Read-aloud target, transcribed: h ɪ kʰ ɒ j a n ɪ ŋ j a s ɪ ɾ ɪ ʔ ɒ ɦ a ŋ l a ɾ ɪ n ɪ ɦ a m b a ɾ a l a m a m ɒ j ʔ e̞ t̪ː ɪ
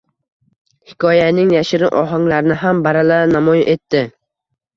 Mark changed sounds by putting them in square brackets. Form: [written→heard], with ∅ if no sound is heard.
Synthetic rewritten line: h ɪ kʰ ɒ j a n ɪ ŋ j a [s→ʃ] ɪ ɾ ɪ ʔ ɒ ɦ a ŋ l a ɾ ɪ n ɪ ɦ a m b a ɾ a l a [m→n] a m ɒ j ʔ e̞ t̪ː ɪ